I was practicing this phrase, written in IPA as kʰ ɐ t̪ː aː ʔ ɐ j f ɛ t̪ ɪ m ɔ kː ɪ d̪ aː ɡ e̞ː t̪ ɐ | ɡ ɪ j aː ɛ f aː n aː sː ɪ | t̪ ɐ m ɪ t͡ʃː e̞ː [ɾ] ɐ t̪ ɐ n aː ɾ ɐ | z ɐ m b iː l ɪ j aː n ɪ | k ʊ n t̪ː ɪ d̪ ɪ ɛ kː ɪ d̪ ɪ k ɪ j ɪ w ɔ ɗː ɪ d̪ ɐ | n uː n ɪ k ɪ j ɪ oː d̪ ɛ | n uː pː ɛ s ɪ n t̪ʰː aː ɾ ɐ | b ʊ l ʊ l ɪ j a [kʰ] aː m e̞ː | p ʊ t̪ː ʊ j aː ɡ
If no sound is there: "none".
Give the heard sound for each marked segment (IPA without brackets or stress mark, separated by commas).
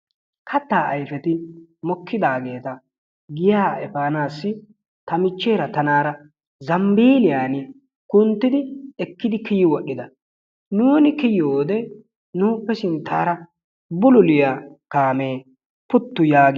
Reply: ɾ, k